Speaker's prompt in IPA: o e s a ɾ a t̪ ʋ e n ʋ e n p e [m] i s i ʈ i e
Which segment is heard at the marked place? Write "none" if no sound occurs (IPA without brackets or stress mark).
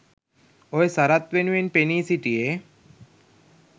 n